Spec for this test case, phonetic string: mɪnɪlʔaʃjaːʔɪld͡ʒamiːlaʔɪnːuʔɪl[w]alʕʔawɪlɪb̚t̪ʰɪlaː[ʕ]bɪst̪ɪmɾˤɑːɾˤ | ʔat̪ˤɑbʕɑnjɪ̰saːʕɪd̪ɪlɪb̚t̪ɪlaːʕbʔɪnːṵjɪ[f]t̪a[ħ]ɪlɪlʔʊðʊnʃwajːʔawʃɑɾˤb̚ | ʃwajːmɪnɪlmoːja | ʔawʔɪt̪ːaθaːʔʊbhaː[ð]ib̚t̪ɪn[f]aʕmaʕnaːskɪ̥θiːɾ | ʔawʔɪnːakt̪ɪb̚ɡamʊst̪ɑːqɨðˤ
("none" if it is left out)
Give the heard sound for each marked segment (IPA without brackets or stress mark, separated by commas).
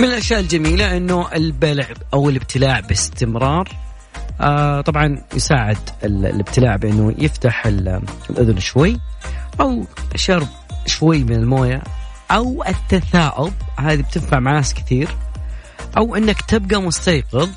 b, ʕ, f, ħ, ð, f